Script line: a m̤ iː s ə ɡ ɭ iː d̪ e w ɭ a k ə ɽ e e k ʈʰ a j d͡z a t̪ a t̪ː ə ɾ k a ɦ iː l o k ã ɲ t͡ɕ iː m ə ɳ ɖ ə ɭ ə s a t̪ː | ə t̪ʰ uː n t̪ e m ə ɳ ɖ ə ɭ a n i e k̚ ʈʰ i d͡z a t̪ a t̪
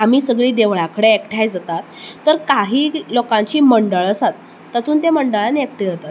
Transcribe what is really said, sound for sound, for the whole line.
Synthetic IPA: a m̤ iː s ə ɡ ɭ iː d̪ e ʋ ɭ a k ə ɽ e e k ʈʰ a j d͡z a t̪ a t̪ː ə ɾ k a ɦ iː l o k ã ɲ t͡ɕ iː m ə ɳ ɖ ə ɭ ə s a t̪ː | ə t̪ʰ uː n t̪ e m ə ɳ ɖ ə ɭ a n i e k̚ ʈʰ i d͡z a t̪ a t̪